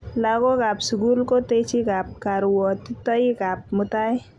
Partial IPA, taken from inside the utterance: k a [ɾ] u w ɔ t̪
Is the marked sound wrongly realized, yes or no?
no